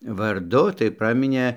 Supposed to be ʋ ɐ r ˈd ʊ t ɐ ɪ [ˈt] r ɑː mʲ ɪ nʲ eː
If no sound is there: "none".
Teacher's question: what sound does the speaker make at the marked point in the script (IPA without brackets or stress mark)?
p